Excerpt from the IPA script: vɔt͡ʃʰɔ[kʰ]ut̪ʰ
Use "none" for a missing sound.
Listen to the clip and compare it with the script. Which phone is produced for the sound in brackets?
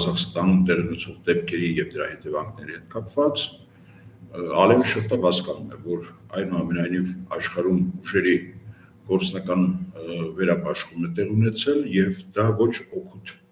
kʰ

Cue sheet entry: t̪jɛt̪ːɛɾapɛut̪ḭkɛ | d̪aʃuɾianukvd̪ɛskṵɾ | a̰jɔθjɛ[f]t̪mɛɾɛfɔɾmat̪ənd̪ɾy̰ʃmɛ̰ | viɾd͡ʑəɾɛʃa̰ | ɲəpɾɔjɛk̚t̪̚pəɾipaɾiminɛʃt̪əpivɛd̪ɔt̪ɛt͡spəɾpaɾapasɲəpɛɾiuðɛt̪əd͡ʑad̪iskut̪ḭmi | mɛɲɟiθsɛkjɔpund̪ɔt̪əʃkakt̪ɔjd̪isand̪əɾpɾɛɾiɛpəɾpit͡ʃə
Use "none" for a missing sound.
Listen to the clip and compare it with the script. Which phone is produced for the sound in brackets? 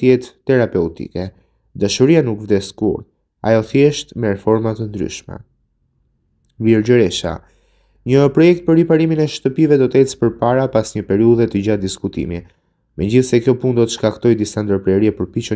ʃ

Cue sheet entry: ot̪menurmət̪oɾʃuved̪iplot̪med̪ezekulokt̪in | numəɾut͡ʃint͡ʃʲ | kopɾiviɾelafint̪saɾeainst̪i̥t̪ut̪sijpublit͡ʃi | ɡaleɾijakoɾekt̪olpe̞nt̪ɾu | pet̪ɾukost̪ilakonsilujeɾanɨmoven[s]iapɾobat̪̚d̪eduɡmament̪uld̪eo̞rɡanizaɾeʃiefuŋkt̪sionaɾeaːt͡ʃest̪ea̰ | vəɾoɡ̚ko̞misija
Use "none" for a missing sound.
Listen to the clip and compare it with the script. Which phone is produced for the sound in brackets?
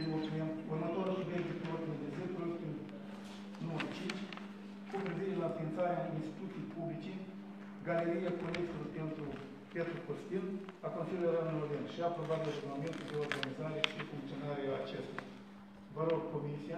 ʃ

